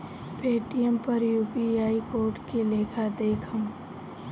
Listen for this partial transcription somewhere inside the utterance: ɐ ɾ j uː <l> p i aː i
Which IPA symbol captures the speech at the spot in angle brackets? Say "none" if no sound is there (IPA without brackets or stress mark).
none